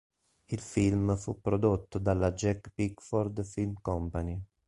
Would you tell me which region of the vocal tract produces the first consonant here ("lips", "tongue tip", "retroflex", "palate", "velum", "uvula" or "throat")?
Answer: tongue tip